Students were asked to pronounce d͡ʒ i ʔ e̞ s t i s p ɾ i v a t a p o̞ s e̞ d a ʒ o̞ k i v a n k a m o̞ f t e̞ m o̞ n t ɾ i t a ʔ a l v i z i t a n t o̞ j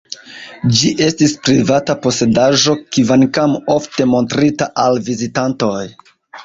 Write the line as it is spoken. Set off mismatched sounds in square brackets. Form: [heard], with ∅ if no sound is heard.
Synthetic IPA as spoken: d͡ʒ i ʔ e̞ s t i s p ɾ i v a t a p o̞ s e̞ d a ʒ o̞ k i v a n k a m o̞ f t e̞ m o̞ n t ɾ i t a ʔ a l v i z i t a n t o̞ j